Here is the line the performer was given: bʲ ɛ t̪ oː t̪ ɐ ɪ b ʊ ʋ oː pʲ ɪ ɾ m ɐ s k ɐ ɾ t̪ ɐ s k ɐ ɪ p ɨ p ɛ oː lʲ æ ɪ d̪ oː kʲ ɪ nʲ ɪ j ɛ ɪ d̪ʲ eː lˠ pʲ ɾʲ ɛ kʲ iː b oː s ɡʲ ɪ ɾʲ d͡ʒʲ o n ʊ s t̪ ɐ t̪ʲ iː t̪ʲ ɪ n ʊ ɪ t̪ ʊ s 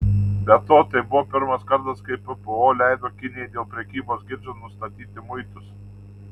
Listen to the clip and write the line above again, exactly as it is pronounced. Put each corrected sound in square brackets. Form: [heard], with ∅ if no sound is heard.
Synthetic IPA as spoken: bʲ ɛ t̪ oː t̪ ɐ ɪ b ʊ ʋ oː pʲ ɪ ɾ m ɐ s k ɐ ɾ t̪ ɐ s k ɐ ɪ p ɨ p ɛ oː lʲ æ ɪ d̪ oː kʲ ɪ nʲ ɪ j ɛ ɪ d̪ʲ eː lˠ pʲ ɾʲ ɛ kʲ iː b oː s ɡʲ ɪ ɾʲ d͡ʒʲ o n ʊ s t̪ ɐ t̪ʲ iː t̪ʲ ɪ [m] ʊ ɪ t̪ ʊ s

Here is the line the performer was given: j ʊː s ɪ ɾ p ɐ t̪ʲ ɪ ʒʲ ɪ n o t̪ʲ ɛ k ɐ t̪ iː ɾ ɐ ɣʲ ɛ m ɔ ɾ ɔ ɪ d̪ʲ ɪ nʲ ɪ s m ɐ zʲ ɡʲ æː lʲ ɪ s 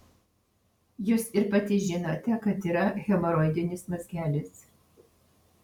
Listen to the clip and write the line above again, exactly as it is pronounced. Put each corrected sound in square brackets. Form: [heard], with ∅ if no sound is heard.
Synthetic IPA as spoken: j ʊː s ɪ ɾ p ɐ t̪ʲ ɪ ʒʲ ɪ n o t̪ʲ ɛ k ɐ t̪ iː ɾ ɐ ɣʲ ɛ m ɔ ɾ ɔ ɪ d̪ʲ ɪ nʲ ɪ s m ɐ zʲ ɡʲ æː lʲ ɪ s

